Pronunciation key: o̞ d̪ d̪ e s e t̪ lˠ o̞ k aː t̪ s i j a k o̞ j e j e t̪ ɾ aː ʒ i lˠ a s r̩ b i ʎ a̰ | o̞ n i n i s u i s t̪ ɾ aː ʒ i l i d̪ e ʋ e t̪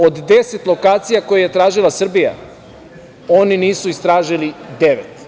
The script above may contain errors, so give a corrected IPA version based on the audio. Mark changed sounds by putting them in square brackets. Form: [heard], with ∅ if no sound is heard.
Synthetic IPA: o̞ d̪ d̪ e s e t̪ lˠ o̞ k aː t̪ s i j a k o̞ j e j e t̪ ɾ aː ʒ i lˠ a s r̩ b i [j] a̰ | o̞ n i n [iː] s u i s t̪ ɾ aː ʒ i l i d̪ e ʋ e t̪